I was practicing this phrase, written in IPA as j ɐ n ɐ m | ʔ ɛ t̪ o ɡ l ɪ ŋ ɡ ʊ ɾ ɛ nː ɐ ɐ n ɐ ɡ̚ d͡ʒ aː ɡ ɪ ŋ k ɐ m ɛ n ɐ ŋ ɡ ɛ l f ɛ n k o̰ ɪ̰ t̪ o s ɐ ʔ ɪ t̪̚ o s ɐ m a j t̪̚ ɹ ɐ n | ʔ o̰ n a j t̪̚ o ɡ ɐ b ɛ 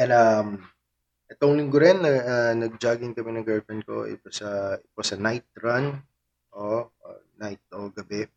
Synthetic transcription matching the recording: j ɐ n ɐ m | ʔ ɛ t̪ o ŋ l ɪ ŋ ɡ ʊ ɾ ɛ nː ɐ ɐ n ɐ ɡ̚ d͡ʒ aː ɡ ɪ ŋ k ɐ m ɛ n ɐ ŋ ɡ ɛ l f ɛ n k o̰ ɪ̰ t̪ o s ɐ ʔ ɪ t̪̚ o s ɐ n a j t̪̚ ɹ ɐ n | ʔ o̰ n a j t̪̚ o ɡ ɐ b ɛ